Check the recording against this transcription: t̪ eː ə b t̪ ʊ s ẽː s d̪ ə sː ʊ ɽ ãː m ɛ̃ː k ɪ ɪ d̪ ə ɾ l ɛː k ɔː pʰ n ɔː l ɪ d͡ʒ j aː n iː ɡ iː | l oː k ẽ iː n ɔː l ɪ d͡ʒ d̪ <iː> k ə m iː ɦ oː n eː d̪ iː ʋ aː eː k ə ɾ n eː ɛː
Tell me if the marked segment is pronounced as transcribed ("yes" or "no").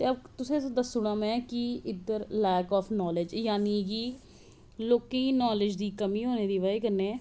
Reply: yes